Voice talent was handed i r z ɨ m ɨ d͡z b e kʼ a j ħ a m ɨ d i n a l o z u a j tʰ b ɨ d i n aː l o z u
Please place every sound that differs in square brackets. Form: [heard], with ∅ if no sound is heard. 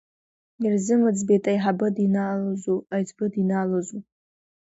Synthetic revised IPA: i r z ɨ m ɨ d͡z b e [tʼ] a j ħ a [b] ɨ d i n a l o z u a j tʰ b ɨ d i n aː l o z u